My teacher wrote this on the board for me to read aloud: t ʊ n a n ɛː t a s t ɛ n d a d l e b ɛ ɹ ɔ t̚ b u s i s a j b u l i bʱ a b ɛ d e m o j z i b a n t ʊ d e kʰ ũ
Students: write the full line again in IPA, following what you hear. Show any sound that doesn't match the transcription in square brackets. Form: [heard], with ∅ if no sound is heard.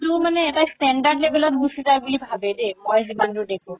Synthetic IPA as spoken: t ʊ [m] a n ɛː t a s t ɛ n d a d l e b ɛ [l] ɔ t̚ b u s i [z] a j b u l i bʱ a b ɛ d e m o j z i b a n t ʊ d e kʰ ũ